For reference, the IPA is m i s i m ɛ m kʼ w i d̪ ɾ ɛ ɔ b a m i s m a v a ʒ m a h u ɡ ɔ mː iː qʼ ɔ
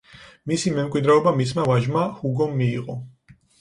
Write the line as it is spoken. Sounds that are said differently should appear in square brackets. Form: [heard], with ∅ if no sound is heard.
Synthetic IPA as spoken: m i s i m ɛ m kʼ w i d̪ ɾ ɛ ɔ b a m i s m a v a ʒ m a h u ɡ ɔ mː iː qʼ ɔ